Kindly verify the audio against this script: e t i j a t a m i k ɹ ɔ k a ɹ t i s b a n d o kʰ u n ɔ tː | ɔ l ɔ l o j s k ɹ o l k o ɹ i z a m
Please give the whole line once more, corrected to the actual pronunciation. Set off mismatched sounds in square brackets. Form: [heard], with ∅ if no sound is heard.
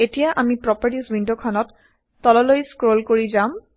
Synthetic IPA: e t i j a [ʔ] a m i [p] ɹ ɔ [p] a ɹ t i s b [i] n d o kʰ [ɔ] n ɔ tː | ɔ l ɔ l o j s k ɹ o l k o ɹ i z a m